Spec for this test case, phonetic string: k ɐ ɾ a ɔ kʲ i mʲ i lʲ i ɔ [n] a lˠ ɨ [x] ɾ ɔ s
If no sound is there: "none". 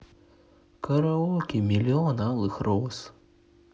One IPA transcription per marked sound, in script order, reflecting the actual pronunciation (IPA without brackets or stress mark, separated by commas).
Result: n, x